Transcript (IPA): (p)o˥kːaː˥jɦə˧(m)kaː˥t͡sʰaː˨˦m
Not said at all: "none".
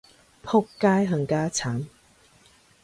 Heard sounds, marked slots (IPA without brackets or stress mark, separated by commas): pʰ, ŋ